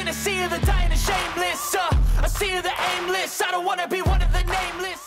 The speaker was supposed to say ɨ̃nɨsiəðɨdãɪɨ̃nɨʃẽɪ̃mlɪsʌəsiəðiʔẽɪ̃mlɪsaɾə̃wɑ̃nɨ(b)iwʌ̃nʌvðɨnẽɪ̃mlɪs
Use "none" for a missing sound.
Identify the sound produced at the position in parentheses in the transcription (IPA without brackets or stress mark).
b